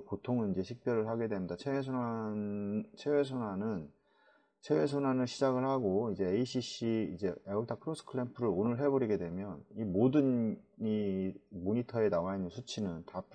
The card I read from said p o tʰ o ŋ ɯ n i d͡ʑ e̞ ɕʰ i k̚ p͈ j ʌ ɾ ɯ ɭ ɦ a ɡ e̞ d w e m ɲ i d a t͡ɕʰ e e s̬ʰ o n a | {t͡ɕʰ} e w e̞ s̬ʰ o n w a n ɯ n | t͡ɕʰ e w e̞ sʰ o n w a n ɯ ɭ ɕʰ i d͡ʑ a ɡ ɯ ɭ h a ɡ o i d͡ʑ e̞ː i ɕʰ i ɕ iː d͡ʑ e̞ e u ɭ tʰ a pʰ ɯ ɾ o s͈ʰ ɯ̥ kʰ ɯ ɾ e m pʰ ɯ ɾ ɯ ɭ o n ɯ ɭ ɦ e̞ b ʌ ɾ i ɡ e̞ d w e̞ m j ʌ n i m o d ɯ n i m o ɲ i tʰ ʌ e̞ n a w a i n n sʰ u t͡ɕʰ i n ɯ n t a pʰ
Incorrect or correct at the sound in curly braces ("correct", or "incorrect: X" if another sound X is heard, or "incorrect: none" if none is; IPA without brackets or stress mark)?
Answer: correct